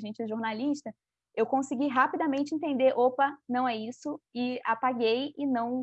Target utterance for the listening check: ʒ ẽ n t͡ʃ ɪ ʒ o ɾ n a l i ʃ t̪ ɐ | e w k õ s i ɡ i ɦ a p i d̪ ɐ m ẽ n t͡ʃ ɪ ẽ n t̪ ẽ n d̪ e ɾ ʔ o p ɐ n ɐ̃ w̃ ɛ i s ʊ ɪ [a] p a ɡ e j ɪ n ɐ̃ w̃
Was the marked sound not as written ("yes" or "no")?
no